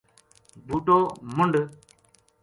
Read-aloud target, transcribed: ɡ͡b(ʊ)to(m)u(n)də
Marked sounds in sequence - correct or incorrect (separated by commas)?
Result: incorrect, correct, correct